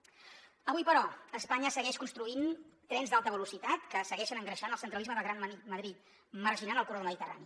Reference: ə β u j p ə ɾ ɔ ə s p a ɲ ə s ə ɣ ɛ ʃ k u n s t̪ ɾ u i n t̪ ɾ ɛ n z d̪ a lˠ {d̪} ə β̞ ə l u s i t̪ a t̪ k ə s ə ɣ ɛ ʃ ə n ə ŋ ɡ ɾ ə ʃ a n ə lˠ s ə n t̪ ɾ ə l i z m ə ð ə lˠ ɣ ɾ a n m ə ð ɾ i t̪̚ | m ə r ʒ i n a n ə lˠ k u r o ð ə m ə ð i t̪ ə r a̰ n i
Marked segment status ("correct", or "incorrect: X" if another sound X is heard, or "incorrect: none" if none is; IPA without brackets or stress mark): incorrect: t̪